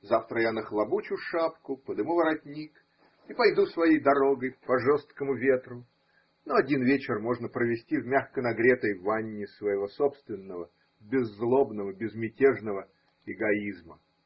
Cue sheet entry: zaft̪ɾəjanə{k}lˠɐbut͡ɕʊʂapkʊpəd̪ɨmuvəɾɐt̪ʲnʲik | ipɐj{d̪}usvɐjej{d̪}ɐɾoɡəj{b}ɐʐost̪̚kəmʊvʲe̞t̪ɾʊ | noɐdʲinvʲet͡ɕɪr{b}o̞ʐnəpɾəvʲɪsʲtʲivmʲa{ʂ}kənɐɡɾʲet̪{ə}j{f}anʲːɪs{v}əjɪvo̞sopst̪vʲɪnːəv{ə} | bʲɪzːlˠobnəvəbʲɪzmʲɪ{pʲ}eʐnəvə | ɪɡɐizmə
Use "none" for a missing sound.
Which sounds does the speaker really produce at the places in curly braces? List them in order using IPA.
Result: x, d̪, d̪, p, m, x, ə, v, v, ə, tʲ

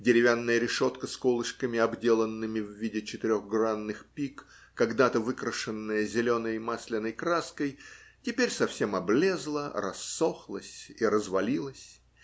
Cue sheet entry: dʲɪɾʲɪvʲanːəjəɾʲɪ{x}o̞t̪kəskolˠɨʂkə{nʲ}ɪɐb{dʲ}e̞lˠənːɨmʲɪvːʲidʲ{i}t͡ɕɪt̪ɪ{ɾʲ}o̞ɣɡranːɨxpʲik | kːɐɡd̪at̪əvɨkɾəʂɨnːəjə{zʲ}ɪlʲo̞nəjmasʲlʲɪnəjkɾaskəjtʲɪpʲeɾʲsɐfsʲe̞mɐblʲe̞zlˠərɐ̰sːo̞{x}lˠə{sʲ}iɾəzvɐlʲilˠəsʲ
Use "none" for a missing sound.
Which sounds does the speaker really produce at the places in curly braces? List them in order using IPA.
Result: ʂ, mʲ, dʲ, ɪ, ɾʲ, zʲ, x, sʲ

